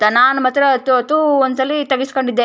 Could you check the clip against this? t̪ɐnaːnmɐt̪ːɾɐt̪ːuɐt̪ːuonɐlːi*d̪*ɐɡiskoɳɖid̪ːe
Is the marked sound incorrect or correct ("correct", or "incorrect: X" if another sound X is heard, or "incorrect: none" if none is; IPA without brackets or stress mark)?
incorrect: t̪